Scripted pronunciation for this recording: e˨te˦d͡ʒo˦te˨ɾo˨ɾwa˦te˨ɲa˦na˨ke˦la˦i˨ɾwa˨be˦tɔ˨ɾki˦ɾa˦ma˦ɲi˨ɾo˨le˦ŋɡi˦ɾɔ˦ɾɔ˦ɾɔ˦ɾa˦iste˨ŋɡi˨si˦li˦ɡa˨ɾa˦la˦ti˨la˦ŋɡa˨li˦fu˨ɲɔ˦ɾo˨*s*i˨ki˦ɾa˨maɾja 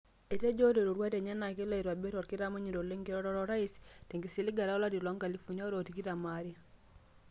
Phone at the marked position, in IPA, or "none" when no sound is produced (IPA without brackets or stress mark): t